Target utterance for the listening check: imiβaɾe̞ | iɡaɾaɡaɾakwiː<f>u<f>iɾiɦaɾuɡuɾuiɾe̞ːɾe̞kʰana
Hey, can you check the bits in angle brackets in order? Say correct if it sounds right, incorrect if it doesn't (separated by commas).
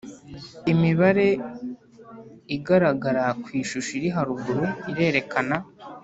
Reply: incorrect, incorrect